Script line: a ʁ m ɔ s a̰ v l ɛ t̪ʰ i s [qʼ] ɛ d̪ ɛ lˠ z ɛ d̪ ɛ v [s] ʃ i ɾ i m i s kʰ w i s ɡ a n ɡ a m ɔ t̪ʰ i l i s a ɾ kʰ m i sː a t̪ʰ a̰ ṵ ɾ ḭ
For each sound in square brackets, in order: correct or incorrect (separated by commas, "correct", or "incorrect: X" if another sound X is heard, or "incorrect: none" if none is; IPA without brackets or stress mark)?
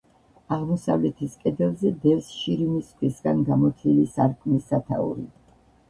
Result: incorrect: kʼ, correct